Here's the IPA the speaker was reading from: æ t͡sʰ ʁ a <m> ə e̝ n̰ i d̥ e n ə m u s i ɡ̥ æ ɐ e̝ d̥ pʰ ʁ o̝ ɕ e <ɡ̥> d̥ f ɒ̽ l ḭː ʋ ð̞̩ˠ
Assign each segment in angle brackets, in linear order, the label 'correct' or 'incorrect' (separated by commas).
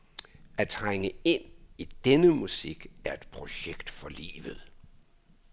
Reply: incorrect, correct